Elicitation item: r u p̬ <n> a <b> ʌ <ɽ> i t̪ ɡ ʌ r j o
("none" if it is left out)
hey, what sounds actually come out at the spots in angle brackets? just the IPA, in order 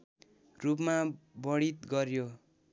m, b, ɽ

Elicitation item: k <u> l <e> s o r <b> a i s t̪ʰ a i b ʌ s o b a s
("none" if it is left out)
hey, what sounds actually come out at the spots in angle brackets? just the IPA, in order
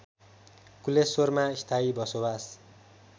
u, e, m

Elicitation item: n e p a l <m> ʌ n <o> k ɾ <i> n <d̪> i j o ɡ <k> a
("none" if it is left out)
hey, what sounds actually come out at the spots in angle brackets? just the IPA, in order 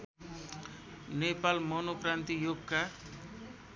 m, o, a, t̪, k

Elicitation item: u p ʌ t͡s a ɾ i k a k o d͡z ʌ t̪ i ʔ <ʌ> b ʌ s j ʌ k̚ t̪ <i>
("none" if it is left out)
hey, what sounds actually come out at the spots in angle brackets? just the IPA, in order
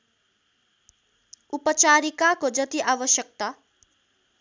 a, a

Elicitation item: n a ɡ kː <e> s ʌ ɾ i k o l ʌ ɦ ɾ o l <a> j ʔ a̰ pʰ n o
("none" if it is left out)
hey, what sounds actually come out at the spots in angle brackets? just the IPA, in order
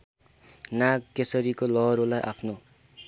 e, a

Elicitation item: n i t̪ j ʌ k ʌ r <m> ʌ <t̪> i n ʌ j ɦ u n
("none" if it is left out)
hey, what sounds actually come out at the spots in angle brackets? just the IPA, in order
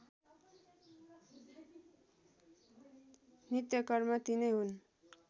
m, t̪

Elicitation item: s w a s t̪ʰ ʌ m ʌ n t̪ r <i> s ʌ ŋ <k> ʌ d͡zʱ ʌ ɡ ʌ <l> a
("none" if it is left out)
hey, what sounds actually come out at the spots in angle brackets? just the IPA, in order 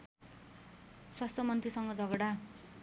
i, ɡ, ɽ

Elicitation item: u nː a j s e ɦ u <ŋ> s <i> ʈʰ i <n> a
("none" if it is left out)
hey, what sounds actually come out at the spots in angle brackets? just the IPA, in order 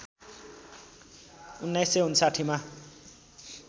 n, a, m

